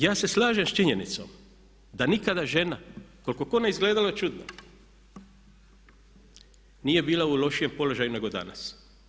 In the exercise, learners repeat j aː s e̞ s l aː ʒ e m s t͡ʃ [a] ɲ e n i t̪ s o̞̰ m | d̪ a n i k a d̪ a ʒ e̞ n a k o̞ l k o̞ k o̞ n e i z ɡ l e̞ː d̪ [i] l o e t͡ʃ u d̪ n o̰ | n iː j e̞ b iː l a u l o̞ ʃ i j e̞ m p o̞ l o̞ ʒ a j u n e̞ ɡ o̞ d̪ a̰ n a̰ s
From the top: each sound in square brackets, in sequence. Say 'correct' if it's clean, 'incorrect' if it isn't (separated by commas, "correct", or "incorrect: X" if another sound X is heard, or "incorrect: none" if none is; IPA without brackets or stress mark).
incorrect: i, incorrect: a